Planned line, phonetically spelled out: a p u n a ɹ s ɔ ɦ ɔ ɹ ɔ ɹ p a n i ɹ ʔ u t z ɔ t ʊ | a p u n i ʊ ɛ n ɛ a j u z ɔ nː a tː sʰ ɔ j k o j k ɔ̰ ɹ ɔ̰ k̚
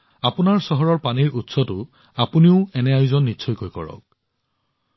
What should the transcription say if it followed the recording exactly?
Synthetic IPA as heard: a p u n a ɹ s ɔ ɦ ɔ ɹ ɔ ɹ p a n i ɹ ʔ u t s ɔ t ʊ | a p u n i ʊ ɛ n ɛ a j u z ɔ nː i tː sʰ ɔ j k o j k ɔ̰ ɹ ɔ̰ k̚